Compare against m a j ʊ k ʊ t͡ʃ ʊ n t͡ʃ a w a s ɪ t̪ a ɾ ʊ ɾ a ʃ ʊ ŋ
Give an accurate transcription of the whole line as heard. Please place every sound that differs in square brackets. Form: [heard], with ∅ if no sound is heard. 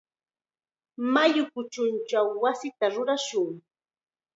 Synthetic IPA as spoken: m a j ʊ k ʊ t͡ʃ ʊ n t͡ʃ a [wː] a s ɪ t̪ a ɾ ʊ ɾ a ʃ ʊ ŋ